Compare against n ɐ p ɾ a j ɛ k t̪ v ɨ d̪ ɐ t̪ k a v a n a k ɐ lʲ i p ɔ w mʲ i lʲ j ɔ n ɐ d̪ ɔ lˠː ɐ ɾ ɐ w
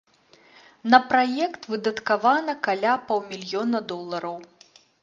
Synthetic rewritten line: n ɐ p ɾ a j ɛ k t̪ v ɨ d̪ ɐ t̪ k a v a n ɐ k a lʲ a p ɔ w mʲ i lʲ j ɔ n ɐ d̪ ɔ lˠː ɐ ɾ ɐ w